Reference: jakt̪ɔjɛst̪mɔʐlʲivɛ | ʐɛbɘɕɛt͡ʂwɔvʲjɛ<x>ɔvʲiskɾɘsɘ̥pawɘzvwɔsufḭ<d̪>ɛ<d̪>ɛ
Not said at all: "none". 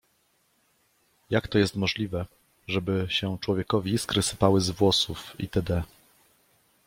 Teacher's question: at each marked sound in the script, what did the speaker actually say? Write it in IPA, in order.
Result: k, t̪, d̪

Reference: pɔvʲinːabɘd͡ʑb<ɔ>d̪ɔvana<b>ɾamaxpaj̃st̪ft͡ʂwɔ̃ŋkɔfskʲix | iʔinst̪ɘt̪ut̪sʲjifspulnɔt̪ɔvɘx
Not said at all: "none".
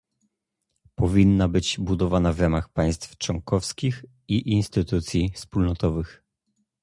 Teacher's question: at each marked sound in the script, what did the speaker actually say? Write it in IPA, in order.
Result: u, v

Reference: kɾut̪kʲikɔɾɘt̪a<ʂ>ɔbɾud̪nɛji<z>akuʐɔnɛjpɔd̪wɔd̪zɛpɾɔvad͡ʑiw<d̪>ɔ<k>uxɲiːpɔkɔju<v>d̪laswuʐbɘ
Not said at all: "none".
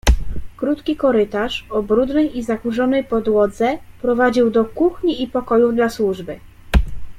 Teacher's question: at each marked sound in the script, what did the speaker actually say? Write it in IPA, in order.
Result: ʂ, z, d̪, k, v

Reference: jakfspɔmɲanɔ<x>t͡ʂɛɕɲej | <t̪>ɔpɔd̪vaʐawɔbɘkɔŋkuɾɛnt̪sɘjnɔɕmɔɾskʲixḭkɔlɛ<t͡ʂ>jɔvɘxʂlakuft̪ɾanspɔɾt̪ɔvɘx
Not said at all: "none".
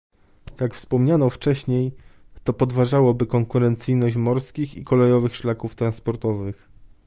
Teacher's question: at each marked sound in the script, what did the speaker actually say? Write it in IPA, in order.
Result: f, t̪, none

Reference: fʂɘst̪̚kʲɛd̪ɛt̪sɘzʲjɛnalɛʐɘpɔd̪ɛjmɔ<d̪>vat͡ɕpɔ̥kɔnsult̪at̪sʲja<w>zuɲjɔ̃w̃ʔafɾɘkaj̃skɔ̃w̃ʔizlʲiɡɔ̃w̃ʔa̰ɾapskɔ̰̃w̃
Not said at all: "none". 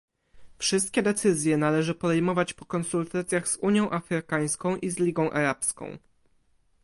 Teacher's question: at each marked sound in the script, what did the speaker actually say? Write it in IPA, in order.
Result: none, ɣ

